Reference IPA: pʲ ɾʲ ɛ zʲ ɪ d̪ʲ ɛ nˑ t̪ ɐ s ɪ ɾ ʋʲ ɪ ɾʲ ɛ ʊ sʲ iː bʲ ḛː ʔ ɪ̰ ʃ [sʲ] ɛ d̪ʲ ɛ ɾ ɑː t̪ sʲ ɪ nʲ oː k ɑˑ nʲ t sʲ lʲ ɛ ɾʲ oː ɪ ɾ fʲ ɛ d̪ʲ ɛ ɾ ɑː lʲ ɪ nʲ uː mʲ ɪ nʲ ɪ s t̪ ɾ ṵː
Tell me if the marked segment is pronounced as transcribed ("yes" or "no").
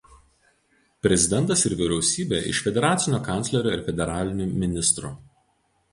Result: no